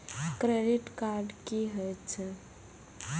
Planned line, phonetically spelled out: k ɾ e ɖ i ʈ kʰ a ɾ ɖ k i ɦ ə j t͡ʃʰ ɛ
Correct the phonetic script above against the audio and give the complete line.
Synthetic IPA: k ɾ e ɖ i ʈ k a ɾ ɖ k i ɦ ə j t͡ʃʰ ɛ